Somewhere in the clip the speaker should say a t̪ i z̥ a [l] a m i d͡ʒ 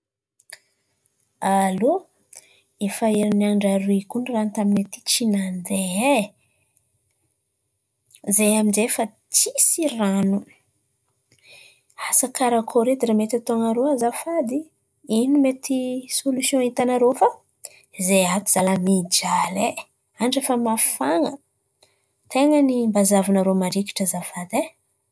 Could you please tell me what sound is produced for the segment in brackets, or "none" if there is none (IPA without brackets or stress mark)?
l